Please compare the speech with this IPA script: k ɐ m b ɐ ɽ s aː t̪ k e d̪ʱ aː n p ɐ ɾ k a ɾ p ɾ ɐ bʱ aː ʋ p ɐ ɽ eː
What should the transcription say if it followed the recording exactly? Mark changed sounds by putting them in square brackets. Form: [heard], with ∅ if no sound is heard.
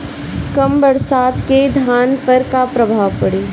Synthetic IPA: k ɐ m b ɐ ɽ s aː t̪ k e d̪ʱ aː n p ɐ ɾ k a [∅] p ɾ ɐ bʱ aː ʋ p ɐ ɽ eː